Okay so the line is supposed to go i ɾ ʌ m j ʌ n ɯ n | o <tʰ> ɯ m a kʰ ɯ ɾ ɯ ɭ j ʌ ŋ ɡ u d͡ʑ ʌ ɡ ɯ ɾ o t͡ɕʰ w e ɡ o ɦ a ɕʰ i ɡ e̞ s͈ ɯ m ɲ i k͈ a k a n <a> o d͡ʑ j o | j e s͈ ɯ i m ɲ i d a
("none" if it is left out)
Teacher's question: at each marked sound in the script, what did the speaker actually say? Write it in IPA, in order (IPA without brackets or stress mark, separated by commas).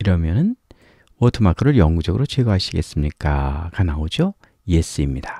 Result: tʰ, a